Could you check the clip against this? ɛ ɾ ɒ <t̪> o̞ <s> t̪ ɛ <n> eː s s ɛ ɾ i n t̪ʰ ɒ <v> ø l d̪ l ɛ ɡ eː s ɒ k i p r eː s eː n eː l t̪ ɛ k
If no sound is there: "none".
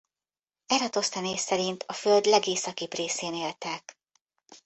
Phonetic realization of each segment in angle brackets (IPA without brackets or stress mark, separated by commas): t̪, s, n, f